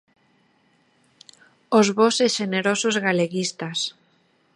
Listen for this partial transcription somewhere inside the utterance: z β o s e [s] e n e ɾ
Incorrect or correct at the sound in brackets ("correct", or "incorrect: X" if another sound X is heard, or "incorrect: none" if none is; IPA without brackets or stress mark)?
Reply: incorrect: ʃ